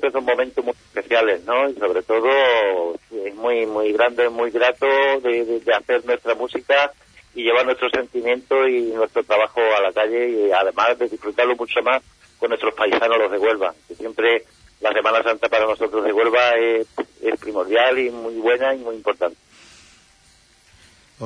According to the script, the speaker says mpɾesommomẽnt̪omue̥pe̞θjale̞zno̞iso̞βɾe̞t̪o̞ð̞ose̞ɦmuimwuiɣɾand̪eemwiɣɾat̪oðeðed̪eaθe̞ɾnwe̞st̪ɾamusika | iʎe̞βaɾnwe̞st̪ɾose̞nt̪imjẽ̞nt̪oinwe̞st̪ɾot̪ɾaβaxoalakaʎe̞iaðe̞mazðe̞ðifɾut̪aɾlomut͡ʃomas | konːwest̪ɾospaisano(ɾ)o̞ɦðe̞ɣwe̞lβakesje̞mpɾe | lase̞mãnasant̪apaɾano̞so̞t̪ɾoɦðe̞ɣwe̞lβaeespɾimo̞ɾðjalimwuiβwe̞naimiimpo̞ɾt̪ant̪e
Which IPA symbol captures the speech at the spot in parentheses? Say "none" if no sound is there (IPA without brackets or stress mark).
l